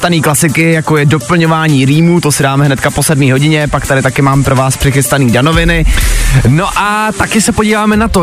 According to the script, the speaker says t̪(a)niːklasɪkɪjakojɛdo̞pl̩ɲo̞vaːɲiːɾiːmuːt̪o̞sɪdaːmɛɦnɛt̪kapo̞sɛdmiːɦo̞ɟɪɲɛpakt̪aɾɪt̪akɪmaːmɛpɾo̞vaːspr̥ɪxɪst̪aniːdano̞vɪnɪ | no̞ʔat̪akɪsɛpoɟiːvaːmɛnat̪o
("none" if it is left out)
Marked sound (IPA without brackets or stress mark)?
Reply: a